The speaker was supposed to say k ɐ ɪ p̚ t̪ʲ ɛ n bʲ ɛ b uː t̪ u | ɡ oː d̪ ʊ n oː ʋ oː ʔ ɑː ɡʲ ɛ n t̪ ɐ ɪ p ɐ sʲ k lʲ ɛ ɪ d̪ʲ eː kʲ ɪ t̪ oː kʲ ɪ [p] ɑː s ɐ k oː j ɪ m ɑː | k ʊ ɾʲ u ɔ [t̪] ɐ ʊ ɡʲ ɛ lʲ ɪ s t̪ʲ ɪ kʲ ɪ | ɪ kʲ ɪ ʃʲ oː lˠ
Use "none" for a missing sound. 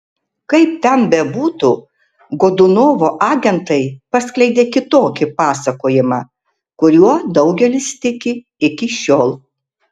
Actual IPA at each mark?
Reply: p, d̪

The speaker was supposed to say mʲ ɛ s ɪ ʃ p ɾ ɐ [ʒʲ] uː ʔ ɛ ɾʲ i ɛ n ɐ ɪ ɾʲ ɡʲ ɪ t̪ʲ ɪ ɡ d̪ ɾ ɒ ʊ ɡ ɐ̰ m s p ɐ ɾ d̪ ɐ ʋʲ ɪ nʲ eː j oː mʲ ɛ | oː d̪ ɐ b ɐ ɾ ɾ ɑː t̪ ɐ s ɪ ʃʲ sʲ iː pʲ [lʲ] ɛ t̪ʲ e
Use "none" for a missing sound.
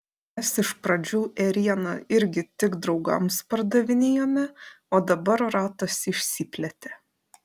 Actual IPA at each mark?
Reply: d͡ʒʲ, lʲ

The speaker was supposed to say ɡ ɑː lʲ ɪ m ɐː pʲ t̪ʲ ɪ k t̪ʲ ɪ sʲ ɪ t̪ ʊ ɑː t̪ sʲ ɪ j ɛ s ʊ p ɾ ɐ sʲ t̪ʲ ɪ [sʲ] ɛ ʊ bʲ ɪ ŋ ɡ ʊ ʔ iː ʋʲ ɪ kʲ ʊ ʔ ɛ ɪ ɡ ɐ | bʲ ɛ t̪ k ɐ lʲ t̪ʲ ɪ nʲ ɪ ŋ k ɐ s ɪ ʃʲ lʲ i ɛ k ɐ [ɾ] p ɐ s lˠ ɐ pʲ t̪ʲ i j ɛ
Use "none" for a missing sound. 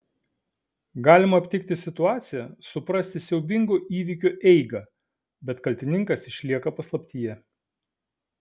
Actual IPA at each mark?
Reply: sʲ, none

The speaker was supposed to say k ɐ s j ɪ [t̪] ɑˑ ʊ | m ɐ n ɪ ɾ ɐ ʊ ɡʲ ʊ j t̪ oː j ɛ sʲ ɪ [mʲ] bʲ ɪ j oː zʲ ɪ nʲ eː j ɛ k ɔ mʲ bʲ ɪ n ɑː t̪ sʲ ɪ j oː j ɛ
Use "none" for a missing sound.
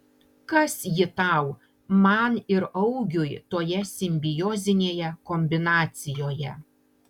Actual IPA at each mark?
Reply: t̪, mʲ

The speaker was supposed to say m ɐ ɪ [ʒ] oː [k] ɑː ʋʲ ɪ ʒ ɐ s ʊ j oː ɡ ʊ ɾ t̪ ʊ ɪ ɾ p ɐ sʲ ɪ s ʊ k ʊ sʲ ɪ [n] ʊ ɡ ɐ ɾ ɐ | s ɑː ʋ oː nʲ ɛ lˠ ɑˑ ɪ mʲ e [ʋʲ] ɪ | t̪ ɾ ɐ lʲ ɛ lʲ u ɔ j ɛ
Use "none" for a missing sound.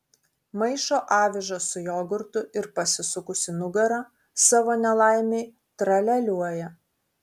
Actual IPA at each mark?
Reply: ʃ, ʔ, n, none

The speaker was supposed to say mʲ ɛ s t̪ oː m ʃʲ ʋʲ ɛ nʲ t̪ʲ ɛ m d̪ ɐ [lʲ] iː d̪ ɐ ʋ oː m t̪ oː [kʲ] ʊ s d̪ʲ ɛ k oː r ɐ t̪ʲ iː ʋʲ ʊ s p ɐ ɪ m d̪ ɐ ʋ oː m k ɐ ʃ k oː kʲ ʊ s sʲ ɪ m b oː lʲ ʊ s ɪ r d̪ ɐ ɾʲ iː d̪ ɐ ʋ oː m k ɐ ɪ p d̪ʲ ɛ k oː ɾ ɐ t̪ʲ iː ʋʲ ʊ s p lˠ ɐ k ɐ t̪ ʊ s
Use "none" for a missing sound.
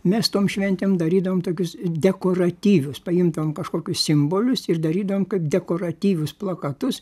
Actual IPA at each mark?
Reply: ɾʲ, kʲ

